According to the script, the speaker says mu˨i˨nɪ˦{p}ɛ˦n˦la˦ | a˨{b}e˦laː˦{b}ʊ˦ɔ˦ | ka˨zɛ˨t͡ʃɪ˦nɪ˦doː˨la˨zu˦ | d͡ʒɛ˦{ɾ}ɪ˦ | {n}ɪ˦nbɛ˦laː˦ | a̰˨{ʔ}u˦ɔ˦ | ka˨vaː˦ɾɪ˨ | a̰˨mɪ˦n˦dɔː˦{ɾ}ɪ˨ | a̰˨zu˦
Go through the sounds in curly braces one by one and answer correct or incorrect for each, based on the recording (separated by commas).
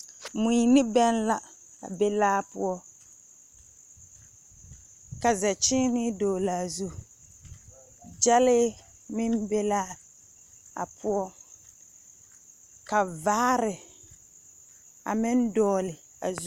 incorrect, correct, incorrect, incorrect, incorrect, incorrect, incorrect